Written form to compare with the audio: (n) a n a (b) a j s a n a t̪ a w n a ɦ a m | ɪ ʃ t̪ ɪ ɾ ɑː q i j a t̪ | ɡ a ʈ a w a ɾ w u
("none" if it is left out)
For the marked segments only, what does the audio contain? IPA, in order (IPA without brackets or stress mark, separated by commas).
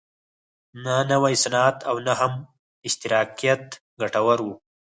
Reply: n, w